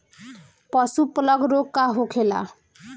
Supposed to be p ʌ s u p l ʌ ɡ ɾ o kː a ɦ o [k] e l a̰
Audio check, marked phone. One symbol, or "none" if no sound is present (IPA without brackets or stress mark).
kʰ